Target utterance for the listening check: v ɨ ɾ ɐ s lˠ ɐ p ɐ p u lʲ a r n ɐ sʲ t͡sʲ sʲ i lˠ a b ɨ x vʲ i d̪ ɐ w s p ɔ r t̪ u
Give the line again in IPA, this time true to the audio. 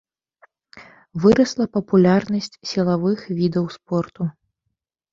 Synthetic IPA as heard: v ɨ ɾ ɐ s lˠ ɐ p ɐ p u lʲ a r n ɐ sʲ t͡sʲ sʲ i lˠ a v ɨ x vʲ i d̪ ɐ w s p ɔ r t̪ u